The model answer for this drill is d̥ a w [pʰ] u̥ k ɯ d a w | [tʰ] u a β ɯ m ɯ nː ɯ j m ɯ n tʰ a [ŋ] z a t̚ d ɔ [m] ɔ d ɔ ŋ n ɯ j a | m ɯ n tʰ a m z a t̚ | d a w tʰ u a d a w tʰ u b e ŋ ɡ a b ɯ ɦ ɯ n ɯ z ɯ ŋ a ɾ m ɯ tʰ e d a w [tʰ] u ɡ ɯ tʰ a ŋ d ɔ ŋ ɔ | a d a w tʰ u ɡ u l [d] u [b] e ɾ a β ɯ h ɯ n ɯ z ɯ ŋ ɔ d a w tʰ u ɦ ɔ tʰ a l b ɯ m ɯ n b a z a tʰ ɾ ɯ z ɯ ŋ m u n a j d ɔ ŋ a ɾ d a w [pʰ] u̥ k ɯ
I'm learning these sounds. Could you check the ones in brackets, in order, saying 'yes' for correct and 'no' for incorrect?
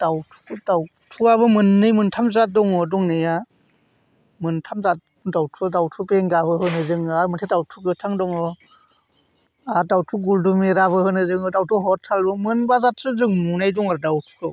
no, yes, no, no, yes, yes, no, no

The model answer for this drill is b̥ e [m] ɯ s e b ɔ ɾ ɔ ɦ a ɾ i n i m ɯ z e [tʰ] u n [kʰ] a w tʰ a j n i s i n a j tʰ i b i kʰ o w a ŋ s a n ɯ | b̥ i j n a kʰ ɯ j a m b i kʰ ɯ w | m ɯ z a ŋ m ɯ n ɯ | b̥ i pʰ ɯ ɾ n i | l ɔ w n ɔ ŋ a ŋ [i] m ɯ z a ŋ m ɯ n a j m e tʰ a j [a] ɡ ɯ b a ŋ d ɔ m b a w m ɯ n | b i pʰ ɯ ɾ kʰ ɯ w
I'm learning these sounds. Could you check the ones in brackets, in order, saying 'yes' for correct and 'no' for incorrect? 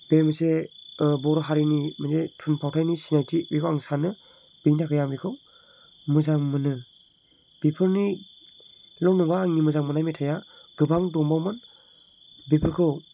yes, yes, no, yes, yes

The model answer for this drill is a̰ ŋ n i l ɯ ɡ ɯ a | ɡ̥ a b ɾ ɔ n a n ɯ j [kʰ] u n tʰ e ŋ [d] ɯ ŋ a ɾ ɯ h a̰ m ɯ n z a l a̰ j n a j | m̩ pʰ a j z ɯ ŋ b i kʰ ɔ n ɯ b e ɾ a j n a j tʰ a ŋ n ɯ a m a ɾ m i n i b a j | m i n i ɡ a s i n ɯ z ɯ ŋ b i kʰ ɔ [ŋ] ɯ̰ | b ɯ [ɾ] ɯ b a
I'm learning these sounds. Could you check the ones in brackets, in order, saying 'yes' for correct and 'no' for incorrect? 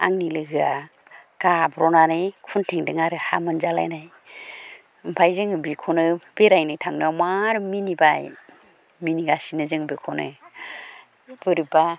yes, yes, no, yes

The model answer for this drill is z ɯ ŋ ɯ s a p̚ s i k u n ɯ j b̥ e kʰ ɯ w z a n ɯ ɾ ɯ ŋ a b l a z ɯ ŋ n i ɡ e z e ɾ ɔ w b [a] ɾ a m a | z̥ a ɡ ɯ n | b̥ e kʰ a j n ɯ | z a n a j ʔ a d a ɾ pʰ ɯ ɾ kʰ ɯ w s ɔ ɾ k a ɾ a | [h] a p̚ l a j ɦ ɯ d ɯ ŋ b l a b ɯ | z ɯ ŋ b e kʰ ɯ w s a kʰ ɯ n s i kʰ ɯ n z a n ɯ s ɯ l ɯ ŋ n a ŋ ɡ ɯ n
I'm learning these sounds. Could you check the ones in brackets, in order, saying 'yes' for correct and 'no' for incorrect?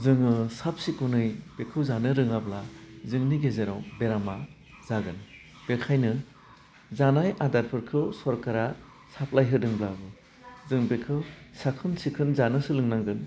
no, no

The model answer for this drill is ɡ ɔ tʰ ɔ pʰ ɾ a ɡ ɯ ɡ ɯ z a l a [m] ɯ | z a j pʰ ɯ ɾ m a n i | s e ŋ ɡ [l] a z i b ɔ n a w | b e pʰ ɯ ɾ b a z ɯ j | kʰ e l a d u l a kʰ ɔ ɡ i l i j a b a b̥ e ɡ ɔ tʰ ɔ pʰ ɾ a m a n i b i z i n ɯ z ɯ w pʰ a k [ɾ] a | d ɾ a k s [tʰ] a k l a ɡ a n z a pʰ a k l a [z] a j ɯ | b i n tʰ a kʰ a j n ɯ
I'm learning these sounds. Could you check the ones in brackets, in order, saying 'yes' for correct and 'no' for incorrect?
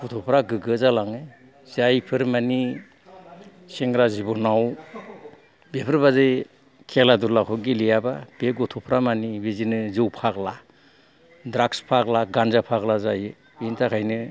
no, no, no, no, yes

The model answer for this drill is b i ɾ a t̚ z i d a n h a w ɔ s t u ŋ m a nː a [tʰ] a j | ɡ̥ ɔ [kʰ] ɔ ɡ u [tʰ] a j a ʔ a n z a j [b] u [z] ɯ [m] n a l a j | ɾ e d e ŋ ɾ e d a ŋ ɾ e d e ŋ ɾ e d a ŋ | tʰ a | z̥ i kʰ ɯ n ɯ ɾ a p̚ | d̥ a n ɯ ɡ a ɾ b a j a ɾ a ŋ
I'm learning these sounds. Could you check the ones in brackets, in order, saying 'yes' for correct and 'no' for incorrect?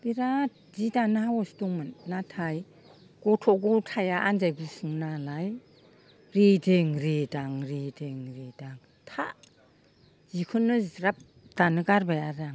yes, no, yes, no, no, no

